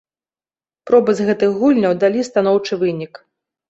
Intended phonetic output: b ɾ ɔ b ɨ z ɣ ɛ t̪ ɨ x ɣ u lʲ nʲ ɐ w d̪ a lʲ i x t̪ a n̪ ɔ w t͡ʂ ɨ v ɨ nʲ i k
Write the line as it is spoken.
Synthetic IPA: p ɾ ɔ b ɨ z ɣ ɛ t̪ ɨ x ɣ u lʲ nʲ ɐ w d̪ a lʲ i s t̪ a n̪ ɔ w t͡ʂ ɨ v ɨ nʲ i k

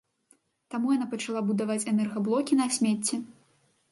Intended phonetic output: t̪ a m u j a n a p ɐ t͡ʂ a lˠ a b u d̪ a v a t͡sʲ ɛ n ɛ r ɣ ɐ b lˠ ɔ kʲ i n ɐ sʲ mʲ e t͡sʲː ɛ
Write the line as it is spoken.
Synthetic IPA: t̪ a m u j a n a p ɐ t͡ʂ a lˠ a b u d̪ a v a t͡sʲ ɛ n ɛ r ɣ ɐ b lˠ ɔ kʲ i n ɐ sʲ mʲ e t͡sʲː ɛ

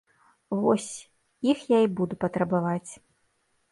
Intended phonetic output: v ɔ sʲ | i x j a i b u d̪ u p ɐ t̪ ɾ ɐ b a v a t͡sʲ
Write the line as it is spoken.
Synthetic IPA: v ɔ sʲ | i x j a i b u d̪ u p ɐ t̪ ɾ ɐ b a v a t͡sʲ

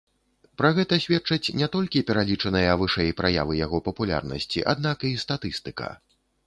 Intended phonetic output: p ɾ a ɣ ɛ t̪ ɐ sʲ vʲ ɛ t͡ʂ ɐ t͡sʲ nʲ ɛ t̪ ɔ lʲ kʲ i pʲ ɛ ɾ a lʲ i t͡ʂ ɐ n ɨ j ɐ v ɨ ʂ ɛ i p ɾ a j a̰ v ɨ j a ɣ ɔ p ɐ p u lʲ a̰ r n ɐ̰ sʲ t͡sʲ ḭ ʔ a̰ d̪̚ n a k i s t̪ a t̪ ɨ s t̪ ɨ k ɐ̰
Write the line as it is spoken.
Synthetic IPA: p ɾ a ɣ ɛ t̪ ɐ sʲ vʲ ɛ t͡ʂ ɐ t͡sʲ nʲ ɛ t̪ ɔ lʲ kʲ i pʲ ɛ ɾ a lʲ i t͡ʂ ɐ n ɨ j ɐ v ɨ ʂ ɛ j p ɾ a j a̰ v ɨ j a ɣ ɔ p ɐ p u lʲ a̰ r n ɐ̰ sʲ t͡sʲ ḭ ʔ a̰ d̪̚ n a k i s t̪ a t̪ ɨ s t̪ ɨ k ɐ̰

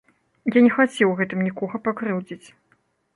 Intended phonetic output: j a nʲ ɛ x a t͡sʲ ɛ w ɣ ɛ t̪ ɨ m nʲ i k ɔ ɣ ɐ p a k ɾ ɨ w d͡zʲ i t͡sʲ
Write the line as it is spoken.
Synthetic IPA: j a nʲ ɛ x a t͡sʲ ɛ w ɣ ɛ t̪ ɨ m nʲ i k ɔ ɣ ɐ p a k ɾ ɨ w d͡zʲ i t͡sʲ

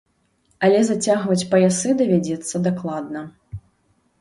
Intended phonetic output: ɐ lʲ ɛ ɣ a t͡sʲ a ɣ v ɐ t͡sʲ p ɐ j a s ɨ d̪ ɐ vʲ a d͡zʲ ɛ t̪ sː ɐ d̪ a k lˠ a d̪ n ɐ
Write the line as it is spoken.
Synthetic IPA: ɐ lʲ ɛ z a t͡sʲ a ɣ v ɐ t͡sʲ p ɐ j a s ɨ d̪ ɐ vʲ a d͡zʲ ɛ t̪ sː ɐ d̪ a k lˠ a d̪ n ɐ

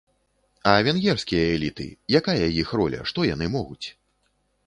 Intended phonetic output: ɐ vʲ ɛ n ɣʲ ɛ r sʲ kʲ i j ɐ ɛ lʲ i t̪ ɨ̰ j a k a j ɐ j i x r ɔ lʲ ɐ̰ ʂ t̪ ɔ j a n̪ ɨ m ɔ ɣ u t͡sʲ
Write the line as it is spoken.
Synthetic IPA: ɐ vʲ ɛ n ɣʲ ɛ r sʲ kʲ i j ɐ ɛ lʲ i t̪ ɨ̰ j a k a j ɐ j i x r ɔ lʲ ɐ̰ ʂ t̪ ɔ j a n̪ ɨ m ɔ ɣ u t͡sʲ

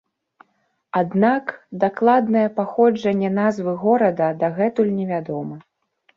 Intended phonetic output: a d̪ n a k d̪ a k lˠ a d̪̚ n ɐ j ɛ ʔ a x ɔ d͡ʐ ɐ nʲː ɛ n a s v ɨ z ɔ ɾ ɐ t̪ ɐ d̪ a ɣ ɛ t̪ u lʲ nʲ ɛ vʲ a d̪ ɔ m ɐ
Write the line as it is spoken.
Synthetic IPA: a d̪ n a k d̪ a k lˠ a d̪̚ n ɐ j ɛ p a x ɔ d͡ʐ ɐ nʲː ɛ n a z v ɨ ɣ ɔ ɾ ɐ d̪ ɐ d̪ a ɣ ɛ t̪ u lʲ nʲ ɛ vʲ a d̪ ɔ m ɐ

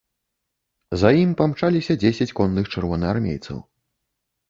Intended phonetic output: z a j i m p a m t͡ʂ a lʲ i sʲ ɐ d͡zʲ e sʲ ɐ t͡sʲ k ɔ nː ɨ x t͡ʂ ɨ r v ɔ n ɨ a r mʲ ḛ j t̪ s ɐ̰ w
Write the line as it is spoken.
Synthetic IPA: z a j i m p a m t͡ʂ a lʲ i sʲ ɐ d͡zʲ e sʲ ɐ t͡sʲ k ɔ nː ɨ x t͡ʂ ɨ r v ɔ n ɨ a r mʲ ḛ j t̪ s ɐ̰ w

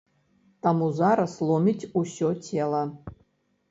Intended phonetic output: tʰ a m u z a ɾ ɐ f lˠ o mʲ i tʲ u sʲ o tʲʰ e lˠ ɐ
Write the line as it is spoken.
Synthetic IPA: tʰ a m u z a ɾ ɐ s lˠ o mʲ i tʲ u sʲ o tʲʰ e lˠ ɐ

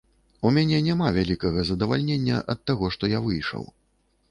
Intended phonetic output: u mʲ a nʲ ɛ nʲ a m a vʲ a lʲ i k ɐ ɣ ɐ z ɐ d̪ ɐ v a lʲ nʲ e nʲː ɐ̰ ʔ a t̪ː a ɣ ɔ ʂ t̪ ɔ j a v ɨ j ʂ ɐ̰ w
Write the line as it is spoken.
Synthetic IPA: u mʲ a nʲ ɛ nʲ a m a vʲ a lʲ i k ɐ ɣ ɐ z ɐ d̪ ɐ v a lʲ nʲ e nʲː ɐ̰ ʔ ɐ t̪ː a ɣ ɔ ʂ t̪ ɔ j a v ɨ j ʂ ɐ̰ w

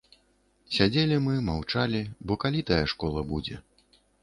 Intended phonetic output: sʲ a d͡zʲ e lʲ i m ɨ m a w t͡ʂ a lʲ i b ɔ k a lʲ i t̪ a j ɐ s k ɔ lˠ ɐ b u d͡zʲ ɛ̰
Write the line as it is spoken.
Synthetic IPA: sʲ a d͡zʲ e lʲ i m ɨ m a w t͡ʂ a lʲ i b ɔ k a lʲ i t̪ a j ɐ ʂ k ɔ lˠ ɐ b u d͡zʲ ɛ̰

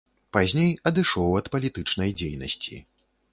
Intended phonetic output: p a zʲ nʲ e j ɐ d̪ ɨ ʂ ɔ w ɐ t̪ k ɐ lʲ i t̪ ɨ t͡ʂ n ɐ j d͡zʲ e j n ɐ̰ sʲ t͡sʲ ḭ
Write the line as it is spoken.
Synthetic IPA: p a zʲ nʲ e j ɐ d̪ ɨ ʂ ɔ w ɐ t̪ p ɐ lʲ i t̪ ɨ t͡ʂ n ɐ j d͡zʲ e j n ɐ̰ sʲ t͡sʲ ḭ

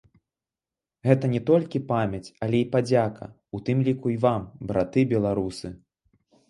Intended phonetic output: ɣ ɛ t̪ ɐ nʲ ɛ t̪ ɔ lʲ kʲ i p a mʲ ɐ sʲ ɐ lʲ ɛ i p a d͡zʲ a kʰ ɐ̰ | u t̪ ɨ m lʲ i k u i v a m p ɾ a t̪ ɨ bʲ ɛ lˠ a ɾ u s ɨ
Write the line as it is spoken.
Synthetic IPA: ɣ ɛ t̪ ɐ nʲ ɛ t̪ ɔ lʲ kʲ i p a mʲ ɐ t͡sʲ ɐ lʲ ɛ i p a d͡zʲ a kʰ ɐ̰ | u t̪ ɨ m lʲ i k u i v a m b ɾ a t̪ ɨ bʲ ɛ lˠ a ɾ u s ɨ

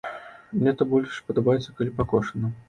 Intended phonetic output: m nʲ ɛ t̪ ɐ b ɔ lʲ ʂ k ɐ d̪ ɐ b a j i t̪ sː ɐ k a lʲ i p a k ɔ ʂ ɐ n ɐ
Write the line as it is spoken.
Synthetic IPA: m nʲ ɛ t̪ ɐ b ɔ lʲ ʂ p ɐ d̪ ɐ b a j ɛ t̪ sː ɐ k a lʲ i p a k ɔ ʂ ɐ n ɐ

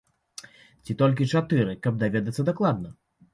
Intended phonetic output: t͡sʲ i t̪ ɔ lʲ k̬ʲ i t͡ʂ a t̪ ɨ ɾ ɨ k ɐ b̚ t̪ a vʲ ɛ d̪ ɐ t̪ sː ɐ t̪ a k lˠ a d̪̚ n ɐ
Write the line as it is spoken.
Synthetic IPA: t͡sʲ i t̪ ɔ lʲ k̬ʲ i t͡ʂ a t̪ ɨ ɾ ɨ k ɐ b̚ d̪ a vʲ ɛ d̪ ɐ t̪ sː ɐ d̪ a k lˠ a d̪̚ n ɐ

